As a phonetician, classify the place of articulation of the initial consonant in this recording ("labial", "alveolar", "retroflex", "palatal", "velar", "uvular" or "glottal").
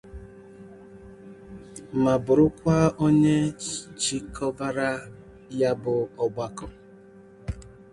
labial